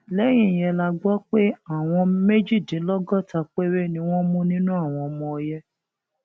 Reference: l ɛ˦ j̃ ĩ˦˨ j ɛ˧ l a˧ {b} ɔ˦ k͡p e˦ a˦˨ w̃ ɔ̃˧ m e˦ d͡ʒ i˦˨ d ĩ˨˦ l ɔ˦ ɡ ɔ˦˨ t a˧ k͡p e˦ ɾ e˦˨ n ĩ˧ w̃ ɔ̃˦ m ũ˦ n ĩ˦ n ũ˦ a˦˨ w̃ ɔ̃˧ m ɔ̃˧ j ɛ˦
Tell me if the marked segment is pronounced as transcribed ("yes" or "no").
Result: no